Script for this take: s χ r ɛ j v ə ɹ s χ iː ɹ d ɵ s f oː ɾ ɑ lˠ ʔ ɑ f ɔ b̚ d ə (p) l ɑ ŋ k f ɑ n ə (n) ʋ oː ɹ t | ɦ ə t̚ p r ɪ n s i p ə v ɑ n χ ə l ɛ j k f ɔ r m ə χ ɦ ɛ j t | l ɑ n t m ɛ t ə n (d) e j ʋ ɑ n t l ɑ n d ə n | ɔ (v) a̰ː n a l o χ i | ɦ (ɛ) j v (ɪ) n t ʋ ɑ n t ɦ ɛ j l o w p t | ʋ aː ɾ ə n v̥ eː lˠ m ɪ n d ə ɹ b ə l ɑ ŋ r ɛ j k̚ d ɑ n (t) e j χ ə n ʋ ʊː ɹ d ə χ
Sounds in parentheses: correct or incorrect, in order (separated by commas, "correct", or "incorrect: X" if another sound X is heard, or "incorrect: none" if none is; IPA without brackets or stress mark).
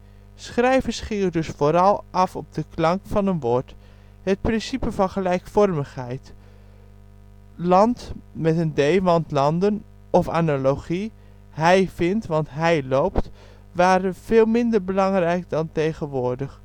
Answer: incorrect: k, correct, correct, incorrect: f, correct, correct, correct